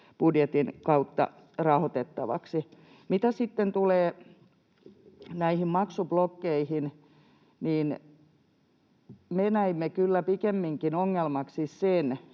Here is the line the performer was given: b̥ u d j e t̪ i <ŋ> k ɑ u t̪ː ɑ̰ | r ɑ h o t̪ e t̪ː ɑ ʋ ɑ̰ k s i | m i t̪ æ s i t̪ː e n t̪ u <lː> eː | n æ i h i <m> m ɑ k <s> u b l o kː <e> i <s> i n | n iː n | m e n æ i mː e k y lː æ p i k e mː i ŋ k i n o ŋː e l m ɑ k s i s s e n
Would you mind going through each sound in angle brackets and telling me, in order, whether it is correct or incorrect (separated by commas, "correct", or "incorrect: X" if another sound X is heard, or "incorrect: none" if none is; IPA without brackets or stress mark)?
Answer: incorrect: n, incorrect: l, correct, correct, correct, incorrect: h